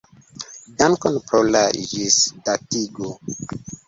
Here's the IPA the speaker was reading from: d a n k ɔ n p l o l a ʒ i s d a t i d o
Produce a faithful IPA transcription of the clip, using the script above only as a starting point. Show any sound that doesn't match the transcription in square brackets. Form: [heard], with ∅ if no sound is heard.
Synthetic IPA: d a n k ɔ n p [ɾ] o l a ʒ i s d a t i [ɡ] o